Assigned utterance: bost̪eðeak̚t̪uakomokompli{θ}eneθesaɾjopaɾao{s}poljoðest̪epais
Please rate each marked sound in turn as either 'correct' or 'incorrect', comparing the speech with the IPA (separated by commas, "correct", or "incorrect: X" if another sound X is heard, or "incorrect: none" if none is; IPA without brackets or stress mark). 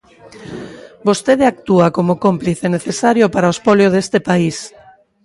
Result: correct, correct